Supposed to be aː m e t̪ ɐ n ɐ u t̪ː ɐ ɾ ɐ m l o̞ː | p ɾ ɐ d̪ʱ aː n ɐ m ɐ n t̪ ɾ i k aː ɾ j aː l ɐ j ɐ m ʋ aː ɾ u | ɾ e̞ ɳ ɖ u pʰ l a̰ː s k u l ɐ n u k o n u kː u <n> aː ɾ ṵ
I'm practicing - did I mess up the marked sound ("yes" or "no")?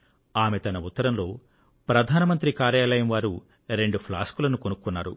yes